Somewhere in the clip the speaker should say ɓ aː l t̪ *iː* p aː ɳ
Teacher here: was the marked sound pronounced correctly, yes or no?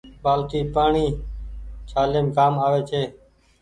yes